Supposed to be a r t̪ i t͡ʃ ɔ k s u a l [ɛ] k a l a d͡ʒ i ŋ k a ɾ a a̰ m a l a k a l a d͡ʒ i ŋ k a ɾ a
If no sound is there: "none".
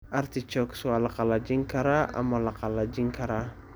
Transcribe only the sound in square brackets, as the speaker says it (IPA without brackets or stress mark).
a